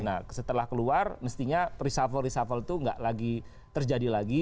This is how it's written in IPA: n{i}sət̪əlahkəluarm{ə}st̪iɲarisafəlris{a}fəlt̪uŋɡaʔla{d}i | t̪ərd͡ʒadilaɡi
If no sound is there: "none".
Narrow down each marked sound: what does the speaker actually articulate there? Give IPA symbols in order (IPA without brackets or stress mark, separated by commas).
a, ə, a, ɡ